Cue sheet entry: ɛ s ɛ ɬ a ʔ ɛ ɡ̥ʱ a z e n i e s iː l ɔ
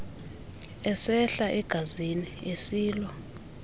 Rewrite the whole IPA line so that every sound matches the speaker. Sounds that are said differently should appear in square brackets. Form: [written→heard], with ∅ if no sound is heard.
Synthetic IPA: ɛ s ɛ ɬ a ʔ ɛ ɡ̥ʱ a z [e→i] n i e s iː l ɔ

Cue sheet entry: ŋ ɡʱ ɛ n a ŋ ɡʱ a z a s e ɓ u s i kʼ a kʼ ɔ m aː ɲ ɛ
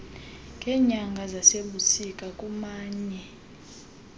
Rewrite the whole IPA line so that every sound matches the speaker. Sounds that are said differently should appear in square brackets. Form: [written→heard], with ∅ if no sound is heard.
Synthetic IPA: ŋ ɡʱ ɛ [n→ɲ] a ŋ ɡʱ a z a s e ɓ u s i kʼ a kʼ [ɔ→u] m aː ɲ ɛ

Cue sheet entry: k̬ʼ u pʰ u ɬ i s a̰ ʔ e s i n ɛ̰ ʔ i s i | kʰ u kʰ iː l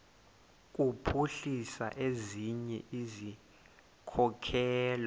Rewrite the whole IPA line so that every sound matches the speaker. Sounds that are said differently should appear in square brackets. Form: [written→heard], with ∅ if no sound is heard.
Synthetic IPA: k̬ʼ u pʰ u ɬ i s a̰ ʔ e [s→z] i [n→ɲ] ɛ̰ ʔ i [s→z] i | kʰ [u→ɔ] kʰ [iː→ɛː] l

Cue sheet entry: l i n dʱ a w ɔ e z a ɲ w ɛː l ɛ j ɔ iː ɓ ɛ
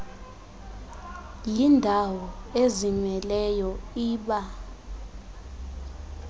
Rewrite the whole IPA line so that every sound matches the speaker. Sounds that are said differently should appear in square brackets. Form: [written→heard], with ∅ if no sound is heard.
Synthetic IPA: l i n dʱ a w ɔ e z [a→i] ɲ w [ɛː→ɛ] l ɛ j ɔ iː ɓ [ɛ→a]

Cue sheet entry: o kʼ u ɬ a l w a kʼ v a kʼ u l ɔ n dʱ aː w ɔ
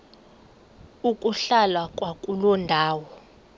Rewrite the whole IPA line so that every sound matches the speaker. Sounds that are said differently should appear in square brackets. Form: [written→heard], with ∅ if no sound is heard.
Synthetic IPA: [o→u] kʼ u ɬ a l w a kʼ [v→w] a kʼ u l ɔ n dʱ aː w ɔ

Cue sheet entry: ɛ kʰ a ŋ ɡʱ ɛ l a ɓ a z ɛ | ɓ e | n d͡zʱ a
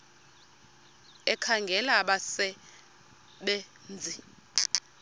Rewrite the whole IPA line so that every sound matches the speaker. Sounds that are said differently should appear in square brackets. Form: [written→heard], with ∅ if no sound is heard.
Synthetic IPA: ɛ kʰ a ŋ ɡʱ ɛ l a ɓ a [z→s] ɛ | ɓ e | n d͡zʱ [a→i]

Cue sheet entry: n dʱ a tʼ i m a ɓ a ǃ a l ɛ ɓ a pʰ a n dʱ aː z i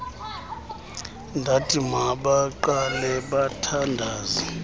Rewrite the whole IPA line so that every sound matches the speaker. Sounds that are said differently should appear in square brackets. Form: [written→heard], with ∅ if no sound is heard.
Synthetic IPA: n dʱ a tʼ i m a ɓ a ǃ a l ɛ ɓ a [pʰ→tʰ] a n dʱ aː z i

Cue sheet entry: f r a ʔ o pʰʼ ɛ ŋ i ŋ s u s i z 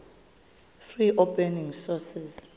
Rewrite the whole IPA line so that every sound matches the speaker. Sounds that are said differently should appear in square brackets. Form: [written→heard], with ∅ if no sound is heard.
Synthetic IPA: f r [a→i] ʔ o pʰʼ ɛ [ŋ→n] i ŋ s [u→ɔ] s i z

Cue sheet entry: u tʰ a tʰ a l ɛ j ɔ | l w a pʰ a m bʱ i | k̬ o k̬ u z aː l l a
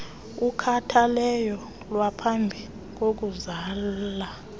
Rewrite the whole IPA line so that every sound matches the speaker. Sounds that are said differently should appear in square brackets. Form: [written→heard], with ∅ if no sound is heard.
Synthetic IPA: u [tʰ→kʰ] a tʰ a l ɛ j ɔ | l w a pʰ a m bʱ i | k̬ o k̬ u z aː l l a

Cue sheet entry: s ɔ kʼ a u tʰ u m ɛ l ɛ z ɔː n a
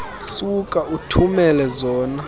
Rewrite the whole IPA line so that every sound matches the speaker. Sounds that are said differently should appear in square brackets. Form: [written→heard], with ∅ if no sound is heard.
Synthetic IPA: s [ɔ→u] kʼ a u tʰ u m ɛ l ɛ z ɔː n a

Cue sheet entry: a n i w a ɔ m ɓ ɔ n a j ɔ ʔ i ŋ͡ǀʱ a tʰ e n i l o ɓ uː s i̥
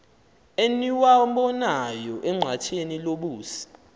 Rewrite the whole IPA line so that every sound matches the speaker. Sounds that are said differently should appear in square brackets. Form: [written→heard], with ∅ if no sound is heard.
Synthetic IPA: [a→e] n i w a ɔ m ɓ ɔ n a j ɔ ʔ [i→ɛ] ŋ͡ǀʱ a tʰ e n i l o ɓ uː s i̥

